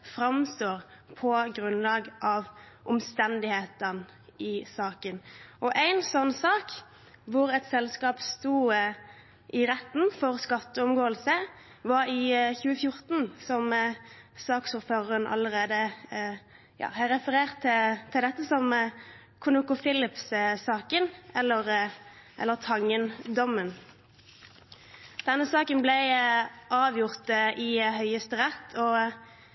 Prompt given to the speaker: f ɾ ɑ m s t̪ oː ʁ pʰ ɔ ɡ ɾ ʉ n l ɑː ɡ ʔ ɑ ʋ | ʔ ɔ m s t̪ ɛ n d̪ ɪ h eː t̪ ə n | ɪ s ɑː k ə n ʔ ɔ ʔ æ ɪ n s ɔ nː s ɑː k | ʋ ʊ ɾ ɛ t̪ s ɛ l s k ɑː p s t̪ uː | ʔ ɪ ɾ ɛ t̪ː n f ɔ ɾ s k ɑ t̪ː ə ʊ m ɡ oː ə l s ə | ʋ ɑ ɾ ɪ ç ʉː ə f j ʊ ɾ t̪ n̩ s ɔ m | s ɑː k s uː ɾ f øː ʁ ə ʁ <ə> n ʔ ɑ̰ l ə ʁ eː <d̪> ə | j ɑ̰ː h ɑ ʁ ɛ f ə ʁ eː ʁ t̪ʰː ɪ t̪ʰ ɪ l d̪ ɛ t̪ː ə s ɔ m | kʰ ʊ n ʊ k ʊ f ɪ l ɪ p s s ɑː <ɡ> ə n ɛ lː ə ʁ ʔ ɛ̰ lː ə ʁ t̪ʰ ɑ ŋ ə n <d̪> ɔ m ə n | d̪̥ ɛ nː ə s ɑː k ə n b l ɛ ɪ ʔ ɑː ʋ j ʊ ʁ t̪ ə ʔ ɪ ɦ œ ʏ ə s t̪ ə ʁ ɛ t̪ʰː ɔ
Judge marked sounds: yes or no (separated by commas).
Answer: yes, yes, no, yes